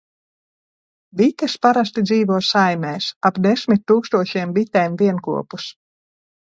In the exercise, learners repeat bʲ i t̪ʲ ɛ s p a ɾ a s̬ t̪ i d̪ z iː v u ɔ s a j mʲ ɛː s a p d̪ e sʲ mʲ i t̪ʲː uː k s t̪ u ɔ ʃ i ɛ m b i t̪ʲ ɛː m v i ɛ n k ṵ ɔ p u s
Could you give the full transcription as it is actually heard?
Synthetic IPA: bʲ i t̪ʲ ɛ s p a ɾ a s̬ t̪ i d̪ z iː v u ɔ s a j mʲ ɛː s a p d̪ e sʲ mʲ i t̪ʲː uː k s t̪ u ɔ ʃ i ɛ m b i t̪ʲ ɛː m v i ɛ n k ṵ ɔ p u s